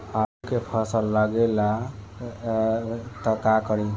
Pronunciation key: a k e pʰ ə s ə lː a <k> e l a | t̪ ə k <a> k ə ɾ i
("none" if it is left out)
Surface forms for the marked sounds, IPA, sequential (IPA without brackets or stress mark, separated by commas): ɡ, a